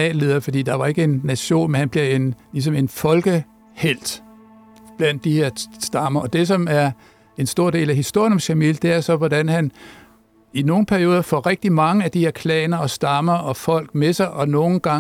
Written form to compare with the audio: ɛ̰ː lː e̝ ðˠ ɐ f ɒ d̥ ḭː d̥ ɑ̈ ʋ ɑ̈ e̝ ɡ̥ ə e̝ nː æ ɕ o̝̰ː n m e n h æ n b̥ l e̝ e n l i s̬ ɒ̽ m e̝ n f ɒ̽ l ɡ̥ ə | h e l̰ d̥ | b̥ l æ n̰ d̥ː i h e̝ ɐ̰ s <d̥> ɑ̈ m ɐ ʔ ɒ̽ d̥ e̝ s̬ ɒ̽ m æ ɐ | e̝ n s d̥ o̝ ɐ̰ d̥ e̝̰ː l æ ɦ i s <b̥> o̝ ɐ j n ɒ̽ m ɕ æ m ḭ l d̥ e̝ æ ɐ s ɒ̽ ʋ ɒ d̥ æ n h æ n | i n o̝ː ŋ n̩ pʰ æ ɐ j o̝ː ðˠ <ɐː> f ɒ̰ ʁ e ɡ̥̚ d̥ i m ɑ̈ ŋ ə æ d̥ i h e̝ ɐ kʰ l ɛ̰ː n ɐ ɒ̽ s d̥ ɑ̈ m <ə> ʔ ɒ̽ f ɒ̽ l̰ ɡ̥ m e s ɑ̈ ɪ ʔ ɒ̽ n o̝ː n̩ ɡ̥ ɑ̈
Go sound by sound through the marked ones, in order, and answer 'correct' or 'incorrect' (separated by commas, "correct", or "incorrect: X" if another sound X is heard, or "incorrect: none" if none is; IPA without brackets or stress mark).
correct, incorrect: d̥, incorrect: ɐ, incorrect: ɐ